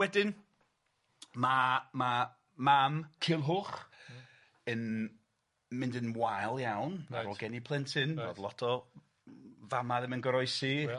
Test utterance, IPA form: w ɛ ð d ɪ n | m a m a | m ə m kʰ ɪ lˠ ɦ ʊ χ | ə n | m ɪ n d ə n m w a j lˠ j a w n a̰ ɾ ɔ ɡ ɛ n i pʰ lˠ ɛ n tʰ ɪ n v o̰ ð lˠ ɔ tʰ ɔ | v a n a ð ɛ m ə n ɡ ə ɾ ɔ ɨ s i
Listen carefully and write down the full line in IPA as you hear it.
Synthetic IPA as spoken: w ɛ d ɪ n | m a m a | m a m kʰ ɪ lˠ ɦ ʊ χ | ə n | m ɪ n d ə n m w a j lˠ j a w n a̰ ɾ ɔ ɡ ɛ n i pʰ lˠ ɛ n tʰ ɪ n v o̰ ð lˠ ɔ tʰ ɔ | v a m a ð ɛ m ə n ɡ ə ɾ ɔ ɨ s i